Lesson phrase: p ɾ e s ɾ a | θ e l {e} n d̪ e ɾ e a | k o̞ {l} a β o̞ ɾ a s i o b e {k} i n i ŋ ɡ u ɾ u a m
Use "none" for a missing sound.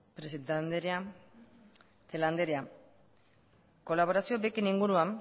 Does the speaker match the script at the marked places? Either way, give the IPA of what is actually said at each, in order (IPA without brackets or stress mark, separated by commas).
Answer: a, l, k